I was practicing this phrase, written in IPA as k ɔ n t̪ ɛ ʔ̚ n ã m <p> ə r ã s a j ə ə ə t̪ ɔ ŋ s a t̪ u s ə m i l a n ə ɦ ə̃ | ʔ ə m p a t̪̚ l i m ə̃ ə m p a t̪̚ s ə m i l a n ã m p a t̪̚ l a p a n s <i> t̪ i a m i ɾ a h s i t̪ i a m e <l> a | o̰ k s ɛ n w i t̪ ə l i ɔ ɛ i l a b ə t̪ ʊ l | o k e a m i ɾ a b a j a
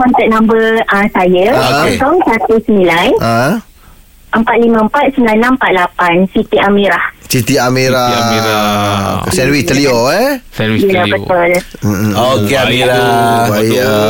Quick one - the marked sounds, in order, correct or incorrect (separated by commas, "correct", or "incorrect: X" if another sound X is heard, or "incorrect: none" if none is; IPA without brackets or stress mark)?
incorrect: b, correct, incorrect: ɾ